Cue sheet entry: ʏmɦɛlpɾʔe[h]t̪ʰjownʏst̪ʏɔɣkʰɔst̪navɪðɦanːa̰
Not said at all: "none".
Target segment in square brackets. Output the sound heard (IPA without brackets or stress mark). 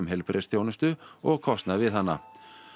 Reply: s